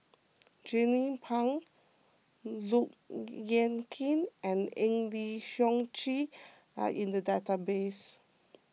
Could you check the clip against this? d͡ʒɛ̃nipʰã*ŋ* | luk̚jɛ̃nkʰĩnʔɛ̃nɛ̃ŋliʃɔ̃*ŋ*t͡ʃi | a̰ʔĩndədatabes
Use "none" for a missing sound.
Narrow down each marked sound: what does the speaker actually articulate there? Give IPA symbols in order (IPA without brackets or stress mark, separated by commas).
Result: ŋ, ŋ